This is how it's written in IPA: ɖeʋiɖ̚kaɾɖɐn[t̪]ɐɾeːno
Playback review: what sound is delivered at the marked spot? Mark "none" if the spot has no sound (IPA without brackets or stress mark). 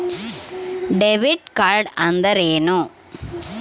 d̪